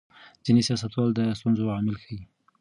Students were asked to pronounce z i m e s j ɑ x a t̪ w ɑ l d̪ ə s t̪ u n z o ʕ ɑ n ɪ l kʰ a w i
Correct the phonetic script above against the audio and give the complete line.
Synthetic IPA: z i n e s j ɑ s a t̪ w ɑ l d̪ ə s t̪ u n z o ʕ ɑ m ɪ l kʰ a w i